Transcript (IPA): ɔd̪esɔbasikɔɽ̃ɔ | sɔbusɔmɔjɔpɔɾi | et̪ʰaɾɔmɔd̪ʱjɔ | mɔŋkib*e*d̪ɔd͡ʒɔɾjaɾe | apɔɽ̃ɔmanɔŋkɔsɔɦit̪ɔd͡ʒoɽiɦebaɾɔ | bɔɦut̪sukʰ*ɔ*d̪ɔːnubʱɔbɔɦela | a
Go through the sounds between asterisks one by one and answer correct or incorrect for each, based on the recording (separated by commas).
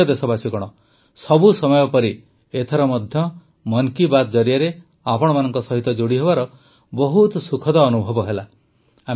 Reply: incorrect, correct